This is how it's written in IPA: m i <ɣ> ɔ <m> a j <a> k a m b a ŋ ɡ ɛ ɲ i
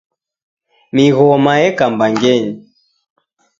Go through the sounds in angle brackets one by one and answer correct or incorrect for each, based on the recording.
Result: correct, correct, incorrect

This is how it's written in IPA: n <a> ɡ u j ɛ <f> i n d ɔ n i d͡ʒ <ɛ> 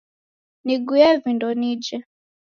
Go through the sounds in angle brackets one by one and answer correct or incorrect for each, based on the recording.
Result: incorrect, incorrect, correct

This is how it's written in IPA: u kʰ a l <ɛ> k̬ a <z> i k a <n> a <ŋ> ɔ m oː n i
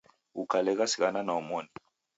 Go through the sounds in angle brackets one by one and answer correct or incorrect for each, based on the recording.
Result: correct, incorrect, correct, incorrect

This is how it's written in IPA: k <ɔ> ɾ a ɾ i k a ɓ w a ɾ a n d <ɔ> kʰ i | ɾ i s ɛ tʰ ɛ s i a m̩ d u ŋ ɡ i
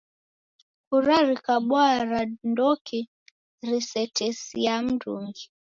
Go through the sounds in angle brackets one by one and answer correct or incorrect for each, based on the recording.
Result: incorrect, correct

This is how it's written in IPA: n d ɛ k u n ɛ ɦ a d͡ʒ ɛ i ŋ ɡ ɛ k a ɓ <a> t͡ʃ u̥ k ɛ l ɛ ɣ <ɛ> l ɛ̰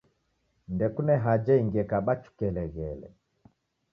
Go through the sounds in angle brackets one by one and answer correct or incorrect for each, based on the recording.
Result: correct, correct

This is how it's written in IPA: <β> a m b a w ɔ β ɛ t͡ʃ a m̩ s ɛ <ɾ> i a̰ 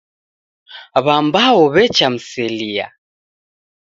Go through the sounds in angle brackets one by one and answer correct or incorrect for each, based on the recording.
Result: correct, incorrect

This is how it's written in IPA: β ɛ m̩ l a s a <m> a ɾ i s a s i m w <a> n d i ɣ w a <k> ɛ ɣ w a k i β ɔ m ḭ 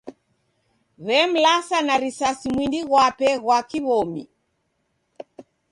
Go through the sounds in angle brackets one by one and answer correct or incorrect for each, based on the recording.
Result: incorrect, incorrect, incorrect

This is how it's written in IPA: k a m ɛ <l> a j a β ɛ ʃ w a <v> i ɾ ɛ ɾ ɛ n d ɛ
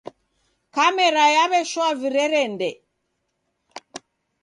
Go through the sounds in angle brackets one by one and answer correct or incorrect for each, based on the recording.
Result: incorrect, correct

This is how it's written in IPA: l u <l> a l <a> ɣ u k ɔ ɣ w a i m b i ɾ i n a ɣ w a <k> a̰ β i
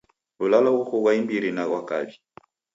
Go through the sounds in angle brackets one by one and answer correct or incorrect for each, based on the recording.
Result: correct, correct, correct

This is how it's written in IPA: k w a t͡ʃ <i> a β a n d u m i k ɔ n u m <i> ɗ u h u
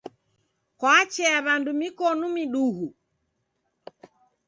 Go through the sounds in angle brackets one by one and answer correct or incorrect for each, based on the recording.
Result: incorrect, correct

